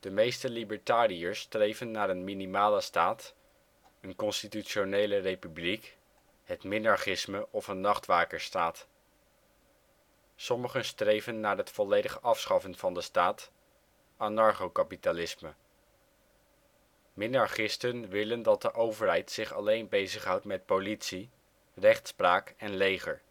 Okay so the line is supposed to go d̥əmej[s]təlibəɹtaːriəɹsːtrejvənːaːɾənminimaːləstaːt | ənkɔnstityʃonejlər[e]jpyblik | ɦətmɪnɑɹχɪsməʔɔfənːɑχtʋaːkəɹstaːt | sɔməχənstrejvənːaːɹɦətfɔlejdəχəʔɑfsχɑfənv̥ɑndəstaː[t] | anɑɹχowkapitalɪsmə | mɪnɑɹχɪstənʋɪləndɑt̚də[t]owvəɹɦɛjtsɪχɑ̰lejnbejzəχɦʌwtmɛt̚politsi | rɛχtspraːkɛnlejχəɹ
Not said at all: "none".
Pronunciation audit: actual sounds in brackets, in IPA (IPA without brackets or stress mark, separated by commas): s, e, t, ʔ